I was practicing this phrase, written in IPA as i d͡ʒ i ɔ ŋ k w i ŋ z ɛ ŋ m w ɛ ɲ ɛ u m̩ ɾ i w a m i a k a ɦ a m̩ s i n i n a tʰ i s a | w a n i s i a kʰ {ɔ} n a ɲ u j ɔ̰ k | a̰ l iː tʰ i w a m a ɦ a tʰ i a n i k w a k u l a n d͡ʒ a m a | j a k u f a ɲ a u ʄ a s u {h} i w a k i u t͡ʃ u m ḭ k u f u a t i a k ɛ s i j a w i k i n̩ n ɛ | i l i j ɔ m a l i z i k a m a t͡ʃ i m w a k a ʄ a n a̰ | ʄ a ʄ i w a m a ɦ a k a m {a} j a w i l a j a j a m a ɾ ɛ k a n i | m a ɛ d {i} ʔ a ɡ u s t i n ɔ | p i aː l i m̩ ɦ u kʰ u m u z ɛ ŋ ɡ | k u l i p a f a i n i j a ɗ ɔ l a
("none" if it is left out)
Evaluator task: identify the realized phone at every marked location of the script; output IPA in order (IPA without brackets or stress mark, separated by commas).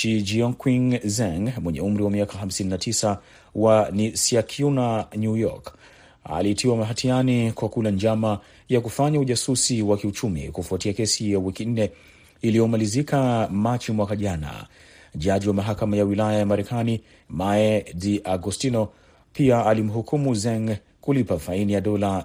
u, s, a, i